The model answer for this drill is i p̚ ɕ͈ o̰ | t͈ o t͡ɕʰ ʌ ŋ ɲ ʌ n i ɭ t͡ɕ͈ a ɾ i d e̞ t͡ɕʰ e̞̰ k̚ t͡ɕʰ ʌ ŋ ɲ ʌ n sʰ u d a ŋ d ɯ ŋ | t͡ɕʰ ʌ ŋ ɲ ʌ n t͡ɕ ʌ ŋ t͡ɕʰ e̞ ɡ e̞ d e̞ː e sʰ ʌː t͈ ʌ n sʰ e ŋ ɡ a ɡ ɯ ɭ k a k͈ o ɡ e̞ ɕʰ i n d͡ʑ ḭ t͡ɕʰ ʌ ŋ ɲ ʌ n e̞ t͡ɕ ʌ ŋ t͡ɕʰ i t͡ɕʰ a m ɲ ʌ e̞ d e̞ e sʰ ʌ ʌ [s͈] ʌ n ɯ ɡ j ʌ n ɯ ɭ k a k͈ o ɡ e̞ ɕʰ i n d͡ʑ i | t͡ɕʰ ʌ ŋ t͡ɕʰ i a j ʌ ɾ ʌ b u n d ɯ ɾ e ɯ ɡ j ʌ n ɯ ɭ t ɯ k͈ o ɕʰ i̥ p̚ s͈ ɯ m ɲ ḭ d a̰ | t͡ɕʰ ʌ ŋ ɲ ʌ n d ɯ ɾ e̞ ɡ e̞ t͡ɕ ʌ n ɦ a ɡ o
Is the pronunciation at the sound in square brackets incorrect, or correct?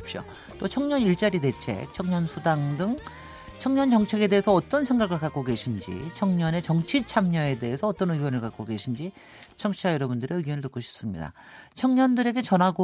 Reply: incorrect